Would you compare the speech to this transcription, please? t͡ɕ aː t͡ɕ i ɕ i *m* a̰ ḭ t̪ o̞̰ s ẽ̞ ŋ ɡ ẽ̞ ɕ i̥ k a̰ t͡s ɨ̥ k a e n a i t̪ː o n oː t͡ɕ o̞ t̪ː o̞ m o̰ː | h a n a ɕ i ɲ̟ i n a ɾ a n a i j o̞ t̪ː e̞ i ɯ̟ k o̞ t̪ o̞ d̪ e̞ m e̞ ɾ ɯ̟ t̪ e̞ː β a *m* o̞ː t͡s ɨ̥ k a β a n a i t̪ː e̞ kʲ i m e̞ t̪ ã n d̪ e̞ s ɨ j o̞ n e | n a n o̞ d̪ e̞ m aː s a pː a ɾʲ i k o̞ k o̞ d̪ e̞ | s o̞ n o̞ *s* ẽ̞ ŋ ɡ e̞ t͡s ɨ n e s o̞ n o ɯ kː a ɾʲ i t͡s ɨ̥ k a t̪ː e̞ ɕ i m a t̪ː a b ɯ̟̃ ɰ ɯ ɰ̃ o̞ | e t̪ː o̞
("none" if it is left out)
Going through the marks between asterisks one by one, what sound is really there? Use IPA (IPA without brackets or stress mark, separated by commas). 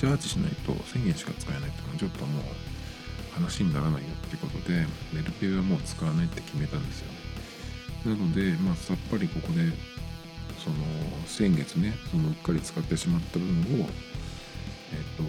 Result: n, m, s